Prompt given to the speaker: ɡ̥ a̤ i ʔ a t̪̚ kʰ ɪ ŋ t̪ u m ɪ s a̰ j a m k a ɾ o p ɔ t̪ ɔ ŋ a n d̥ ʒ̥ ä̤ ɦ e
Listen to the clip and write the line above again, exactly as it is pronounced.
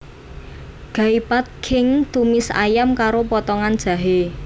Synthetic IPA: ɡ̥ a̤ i p a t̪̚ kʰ ɪ ŋ t̪ u m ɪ s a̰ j a m k a ɾ o p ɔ t̪ ɔ ŋ a n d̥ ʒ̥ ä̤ ɦ e